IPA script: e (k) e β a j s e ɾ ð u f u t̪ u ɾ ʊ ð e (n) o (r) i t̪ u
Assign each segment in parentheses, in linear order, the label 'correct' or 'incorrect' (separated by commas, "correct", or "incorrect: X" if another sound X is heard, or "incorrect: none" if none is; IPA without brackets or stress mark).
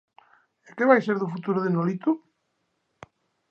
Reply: correct, correct, incorrect: l